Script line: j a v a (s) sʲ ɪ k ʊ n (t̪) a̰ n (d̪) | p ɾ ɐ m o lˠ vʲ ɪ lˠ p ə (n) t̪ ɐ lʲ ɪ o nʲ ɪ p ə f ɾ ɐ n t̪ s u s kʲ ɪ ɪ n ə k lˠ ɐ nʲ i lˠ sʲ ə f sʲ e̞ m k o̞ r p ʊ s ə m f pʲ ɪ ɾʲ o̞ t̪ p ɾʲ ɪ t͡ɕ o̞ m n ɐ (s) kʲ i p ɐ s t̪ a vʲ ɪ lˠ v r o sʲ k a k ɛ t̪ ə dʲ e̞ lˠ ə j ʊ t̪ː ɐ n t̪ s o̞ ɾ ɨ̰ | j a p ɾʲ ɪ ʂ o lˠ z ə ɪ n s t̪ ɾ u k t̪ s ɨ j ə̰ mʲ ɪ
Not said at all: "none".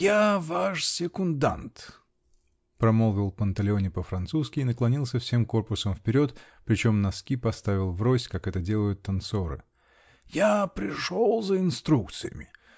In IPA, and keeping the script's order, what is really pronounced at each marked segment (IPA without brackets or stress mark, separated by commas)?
ʂ, d̪, t̪, n, s